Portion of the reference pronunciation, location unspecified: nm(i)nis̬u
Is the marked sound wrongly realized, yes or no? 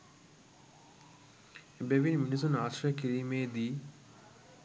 no